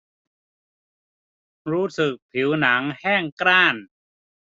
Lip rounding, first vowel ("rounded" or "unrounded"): rounded